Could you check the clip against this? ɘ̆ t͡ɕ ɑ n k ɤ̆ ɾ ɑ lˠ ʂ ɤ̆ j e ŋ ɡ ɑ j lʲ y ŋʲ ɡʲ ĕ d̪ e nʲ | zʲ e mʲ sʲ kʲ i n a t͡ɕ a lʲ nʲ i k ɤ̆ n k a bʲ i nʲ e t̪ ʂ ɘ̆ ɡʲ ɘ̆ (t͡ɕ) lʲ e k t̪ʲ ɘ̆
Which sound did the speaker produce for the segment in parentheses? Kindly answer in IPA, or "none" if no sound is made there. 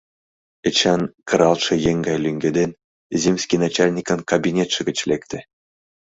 t͡ɕ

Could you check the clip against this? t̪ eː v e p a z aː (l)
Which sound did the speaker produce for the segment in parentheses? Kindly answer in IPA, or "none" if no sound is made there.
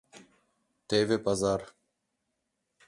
ɾ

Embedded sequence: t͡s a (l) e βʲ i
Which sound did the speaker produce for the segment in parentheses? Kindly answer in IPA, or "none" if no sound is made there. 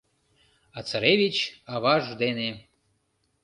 ɾ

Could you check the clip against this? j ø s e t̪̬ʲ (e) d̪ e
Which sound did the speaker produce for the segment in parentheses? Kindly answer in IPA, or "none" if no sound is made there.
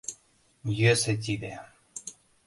i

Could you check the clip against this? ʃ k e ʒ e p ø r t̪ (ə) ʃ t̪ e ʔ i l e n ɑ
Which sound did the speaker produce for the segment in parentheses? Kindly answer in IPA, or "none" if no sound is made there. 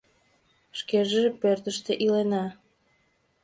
ə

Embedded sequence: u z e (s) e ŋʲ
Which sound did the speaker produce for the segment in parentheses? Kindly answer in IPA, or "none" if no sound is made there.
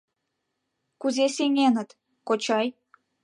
s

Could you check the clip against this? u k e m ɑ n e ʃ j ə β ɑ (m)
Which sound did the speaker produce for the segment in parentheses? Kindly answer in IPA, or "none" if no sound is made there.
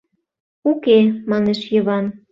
n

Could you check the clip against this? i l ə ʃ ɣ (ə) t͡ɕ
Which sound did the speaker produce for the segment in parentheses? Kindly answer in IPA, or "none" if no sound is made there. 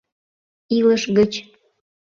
ə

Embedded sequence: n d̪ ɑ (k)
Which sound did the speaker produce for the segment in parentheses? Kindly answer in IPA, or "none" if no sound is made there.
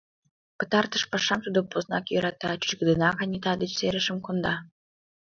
none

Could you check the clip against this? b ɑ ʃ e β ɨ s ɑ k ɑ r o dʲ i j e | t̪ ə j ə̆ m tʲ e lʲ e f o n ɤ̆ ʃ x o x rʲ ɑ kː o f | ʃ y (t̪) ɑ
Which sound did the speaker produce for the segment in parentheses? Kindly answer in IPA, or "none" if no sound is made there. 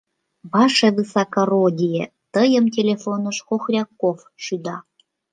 d̪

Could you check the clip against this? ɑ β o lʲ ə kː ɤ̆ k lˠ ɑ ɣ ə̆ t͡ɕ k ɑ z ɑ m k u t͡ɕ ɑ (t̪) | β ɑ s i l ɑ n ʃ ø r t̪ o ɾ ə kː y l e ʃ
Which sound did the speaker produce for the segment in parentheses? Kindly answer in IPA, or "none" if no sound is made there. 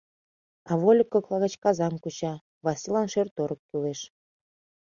none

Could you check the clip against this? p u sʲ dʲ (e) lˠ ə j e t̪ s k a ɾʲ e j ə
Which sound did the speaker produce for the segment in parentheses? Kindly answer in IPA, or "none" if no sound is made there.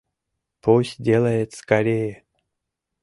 e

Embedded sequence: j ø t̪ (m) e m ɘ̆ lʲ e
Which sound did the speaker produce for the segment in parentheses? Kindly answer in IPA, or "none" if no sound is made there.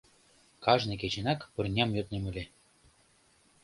n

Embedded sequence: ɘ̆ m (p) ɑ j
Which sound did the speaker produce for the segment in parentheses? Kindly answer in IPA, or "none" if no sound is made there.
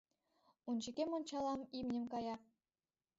k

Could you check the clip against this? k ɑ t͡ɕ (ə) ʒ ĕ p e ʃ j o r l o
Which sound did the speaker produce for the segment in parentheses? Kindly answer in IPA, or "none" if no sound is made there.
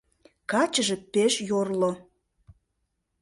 ə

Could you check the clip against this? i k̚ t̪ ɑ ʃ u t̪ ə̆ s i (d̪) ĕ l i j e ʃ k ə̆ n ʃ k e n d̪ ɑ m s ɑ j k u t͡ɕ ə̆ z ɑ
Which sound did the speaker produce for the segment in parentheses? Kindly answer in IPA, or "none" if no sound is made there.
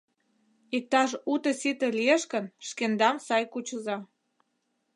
t̪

